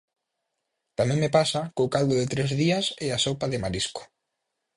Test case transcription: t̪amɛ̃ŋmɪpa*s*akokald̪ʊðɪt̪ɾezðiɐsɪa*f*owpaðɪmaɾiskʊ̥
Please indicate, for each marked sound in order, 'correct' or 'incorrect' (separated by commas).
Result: correct, incorrect